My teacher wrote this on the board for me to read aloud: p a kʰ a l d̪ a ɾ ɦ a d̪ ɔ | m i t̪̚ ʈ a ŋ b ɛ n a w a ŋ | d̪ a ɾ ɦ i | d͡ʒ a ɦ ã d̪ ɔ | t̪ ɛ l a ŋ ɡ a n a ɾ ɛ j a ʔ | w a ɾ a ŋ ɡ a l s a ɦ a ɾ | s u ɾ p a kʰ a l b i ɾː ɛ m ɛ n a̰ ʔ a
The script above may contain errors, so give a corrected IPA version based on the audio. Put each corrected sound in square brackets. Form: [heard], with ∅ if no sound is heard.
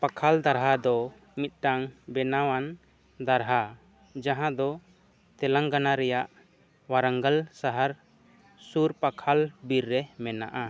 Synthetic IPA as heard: p a kʰ a l d̪ a ɾ ɦ a d̪ ɔ | m i t̪̚ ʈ a ŋ b ɛ n a w a [n] | d̪ a ɾ ɦ [a] | d͡ʒ a ɦ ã d̪ ɔ | t̪ ɛ l a ŋ ɡ a n a ɾ ɛ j a ʔ | w a ɾ a ŋ ɡ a l s a ɦ a ɾ | s u ɾ p a kʰ a l b i ɾː ɛ m ɛ n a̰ ʔ a

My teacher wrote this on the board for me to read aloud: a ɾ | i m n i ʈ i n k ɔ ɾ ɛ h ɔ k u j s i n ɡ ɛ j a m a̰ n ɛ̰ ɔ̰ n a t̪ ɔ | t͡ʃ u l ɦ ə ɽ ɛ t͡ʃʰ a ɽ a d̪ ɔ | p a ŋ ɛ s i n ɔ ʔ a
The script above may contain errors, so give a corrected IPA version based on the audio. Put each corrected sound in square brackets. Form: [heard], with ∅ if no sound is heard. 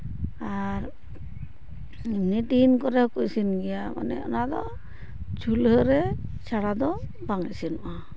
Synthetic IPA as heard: a ɾ | i m n i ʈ i n k ɔ ɾ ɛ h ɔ k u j s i n ɡ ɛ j a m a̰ n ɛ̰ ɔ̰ n a [d̪] ɔ | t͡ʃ u l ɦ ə [ɾ] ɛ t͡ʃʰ a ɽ a d̪ ɔ | [b] a ŋ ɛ s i n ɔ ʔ a

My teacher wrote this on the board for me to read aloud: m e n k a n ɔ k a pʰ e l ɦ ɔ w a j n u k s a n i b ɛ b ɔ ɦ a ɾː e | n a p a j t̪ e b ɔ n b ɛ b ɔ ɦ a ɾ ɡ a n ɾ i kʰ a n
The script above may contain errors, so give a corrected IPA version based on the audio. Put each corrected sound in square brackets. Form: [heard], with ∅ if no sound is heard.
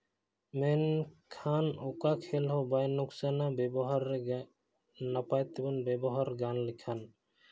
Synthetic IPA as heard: m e n [kʰ] a n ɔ k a [kʰ] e l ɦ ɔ [b] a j n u k s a n [a] b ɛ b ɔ ɦ a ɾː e | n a p a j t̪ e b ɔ n b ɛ b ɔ ɦ a ɾ ɡ a n [l] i kʰ a n

